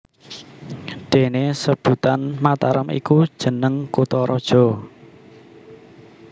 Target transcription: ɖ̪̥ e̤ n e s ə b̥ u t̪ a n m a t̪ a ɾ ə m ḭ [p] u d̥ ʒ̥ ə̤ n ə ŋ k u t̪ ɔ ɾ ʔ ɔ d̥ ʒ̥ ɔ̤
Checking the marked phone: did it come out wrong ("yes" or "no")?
yes